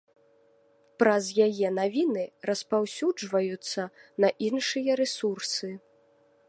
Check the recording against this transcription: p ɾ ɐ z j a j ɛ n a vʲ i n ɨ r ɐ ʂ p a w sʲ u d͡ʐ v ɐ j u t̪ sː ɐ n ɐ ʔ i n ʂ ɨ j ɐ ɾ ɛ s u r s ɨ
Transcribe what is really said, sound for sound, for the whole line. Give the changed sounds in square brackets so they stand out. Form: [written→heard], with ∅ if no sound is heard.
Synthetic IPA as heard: p ɾ ɐ z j a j ɛ n a vʲ i n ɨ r ɐ [ʂ→s] p a w sʲ u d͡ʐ v ɐ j u t̪ sː ɐ n ɐ ʔ i n ʂ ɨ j ɐ ɾ ɛ s u r s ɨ